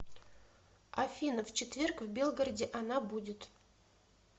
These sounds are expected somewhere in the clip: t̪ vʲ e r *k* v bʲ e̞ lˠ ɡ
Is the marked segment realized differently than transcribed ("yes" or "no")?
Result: no